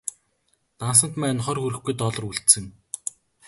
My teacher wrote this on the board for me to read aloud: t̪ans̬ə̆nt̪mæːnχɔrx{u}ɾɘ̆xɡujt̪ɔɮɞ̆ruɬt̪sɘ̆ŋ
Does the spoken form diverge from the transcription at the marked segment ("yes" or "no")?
no